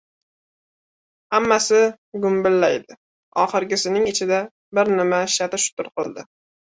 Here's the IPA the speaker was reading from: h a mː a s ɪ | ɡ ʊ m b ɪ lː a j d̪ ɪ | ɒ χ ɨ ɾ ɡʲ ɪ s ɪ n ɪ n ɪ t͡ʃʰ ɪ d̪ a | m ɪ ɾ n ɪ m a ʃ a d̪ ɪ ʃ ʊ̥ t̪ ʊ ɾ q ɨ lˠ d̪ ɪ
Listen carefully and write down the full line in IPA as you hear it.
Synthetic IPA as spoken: h a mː a s ɪ | ɡ ʊ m b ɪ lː a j d̪ ɪ | ɒ χ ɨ ɾ ɡʲ ɪ s ɪ n ɪ ŋ ɪ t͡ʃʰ ɪ d̪ a | b ɪ ɾ n ɪ m a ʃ a t̪ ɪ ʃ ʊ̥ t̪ ʊ ɾ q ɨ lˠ d̪ ɪ